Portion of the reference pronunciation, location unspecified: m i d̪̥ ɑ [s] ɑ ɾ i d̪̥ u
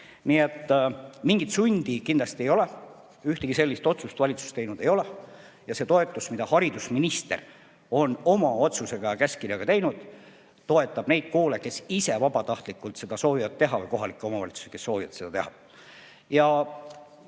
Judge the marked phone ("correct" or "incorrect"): incorrect